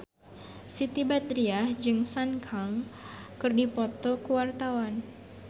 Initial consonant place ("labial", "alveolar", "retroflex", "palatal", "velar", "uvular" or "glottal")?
alveolar